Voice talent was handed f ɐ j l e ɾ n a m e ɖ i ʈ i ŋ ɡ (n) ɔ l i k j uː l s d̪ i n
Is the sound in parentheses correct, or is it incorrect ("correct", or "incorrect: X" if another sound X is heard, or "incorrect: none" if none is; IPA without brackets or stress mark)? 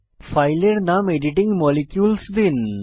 incorrect: m